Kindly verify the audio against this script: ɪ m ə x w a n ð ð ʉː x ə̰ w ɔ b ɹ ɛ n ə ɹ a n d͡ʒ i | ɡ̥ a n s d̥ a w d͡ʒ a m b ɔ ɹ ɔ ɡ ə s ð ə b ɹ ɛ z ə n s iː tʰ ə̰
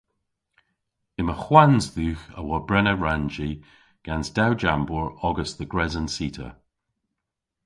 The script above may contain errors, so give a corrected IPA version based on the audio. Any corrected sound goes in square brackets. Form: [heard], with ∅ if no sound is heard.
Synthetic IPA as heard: ɪ m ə x w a n [z] ð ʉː x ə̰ w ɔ b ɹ ɛ n ə ɹ a n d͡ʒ i | ɡ̥ a n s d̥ a w d͡ʒ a m b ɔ ɹ ɔ ɡ ə s ð ə [ɡ] ɹ ɛ z ə n s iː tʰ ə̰